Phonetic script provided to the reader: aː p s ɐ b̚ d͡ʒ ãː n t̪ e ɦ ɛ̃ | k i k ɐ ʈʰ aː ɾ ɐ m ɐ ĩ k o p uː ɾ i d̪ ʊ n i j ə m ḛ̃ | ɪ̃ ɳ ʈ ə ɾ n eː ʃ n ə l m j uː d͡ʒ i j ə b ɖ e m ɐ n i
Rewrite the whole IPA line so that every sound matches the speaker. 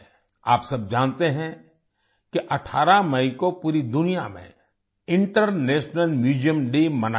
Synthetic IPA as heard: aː p s ɐ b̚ d͡ʒ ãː n t̪ e ɦ ɛ̃ | k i ʔ ɐ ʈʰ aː ɾ a m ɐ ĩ k o p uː ɾ i d̪ ʊ n i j a m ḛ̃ | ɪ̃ ɳ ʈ ə ɾ n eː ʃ n ə l m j uː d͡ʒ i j ə m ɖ e m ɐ n a